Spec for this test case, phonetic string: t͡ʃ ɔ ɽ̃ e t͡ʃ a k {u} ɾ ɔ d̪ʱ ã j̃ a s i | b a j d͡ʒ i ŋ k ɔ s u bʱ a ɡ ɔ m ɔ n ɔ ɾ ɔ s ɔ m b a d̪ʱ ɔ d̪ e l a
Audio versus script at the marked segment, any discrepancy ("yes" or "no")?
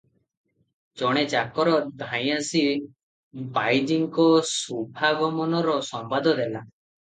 yes